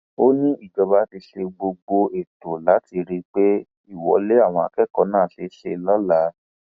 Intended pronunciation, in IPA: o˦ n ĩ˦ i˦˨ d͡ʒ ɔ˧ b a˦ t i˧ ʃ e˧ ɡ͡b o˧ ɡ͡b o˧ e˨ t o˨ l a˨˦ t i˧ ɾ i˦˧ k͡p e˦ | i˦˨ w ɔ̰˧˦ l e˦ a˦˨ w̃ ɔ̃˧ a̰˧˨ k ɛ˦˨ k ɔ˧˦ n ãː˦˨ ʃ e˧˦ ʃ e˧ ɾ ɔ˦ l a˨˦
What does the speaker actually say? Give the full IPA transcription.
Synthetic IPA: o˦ n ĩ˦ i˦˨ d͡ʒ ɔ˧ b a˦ t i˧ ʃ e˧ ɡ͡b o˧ ɡ͡b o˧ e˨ t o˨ l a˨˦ t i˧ ɾ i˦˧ k͡p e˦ | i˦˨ w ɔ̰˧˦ l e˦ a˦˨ w̃ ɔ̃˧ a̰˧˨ k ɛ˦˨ k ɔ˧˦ n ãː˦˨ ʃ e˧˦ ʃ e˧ l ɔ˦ l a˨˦